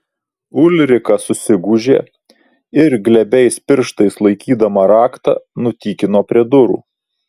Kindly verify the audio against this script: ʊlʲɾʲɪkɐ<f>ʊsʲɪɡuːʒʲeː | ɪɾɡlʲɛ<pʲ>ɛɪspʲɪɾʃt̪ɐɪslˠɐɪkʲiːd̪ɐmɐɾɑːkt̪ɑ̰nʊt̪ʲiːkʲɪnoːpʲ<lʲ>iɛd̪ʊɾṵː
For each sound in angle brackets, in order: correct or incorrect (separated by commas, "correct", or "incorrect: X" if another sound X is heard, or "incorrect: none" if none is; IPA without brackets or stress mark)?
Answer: incorrect: s, incorrect: bʲ, incorrect: ɾʲ